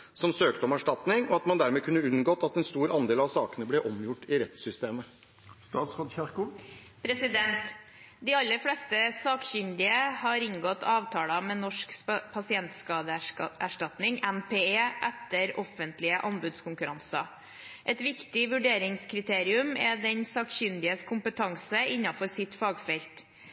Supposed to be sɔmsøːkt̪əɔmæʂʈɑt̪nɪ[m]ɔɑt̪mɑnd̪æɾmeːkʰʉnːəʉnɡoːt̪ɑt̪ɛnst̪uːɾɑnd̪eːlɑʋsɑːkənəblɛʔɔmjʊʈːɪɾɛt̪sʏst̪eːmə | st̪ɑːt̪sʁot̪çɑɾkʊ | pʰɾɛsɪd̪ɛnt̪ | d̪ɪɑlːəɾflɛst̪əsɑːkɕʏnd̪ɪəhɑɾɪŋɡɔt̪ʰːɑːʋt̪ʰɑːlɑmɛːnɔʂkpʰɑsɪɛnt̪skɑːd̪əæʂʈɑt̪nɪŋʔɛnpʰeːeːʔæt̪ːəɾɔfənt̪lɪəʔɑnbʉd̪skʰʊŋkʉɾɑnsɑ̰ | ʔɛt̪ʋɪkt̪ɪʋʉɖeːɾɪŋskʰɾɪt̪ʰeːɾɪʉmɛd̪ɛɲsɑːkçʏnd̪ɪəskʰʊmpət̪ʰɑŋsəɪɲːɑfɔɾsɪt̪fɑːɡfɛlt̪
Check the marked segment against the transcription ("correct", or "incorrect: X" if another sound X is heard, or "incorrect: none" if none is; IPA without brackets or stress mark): incorrect: ŋ